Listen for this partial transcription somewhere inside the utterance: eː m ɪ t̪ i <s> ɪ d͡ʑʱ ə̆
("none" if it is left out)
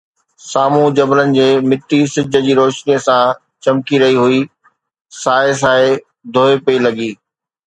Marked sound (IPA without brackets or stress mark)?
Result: s